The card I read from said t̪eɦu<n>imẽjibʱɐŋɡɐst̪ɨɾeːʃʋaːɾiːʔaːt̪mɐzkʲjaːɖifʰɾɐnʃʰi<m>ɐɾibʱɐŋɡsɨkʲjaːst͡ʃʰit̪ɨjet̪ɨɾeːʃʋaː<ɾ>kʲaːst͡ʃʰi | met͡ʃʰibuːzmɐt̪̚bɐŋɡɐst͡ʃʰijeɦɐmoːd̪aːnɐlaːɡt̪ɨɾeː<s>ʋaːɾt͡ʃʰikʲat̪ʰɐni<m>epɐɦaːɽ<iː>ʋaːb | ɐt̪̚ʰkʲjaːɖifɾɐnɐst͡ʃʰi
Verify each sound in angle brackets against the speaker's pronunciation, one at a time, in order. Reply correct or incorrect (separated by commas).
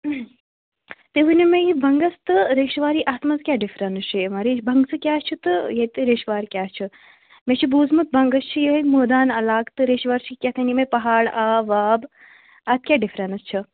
correct, correct, correct, incorrect, correct, incorrect